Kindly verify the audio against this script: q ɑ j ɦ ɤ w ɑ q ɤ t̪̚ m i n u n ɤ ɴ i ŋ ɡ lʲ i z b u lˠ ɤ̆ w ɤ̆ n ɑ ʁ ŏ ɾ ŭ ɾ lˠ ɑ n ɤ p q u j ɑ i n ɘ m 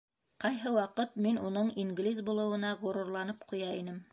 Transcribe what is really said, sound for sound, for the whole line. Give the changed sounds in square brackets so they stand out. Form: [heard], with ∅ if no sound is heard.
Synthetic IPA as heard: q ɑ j ɦ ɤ w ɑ q ɤ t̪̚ m i n u n ɤ ɴ i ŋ ɡ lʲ i z b u lˠ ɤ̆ w ɤ̆ n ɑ ʁ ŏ ɾ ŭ ɾ lˠ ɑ n ɤ p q u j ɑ i n ɘ m